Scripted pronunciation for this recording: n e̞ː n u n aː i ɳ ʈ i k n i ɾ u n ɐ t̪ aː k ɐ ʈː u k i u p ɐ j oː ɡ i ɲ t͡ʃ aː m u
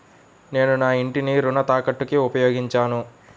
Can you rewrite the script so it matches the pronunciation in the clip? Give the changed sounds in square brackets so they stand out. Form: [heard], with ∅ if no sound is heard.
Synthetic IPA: n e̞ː n u n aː i ɳ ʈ i [∅] n i ɾ u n ɐ t̪ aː k ɐ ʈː u k i u p ɐ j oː ɡ i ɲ t͡ʃ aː [n] u